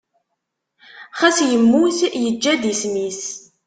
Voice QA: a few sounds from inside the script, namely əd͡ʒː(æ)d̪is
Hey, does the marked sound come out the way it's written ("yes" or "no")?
yes